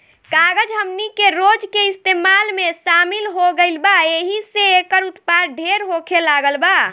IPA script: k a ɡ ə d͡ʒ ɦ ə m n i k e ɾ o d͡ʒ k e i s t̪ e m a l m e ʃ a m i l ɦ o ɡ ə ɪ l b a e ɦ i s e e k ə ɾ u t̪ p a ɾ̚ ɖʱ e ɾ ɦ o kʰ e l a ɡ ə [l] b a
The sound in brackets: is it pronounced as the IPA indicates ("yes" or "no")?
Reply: yes